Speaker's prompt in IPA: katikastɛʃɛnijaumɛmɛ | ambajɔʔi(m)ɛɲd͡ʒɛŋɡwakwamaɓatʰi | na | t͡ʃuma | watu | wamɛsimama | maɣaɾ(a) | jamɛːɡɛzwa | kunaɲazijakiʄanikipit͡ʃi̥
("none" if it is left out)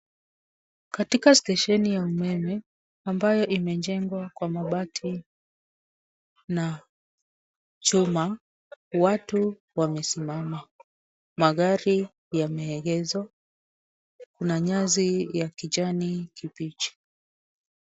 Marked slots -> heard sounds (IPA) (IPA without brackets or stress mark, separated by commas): m, i